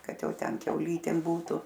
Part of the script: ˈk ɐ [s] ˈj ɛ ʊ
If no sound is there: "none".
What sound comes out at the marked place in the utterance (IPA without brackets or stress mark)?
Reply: t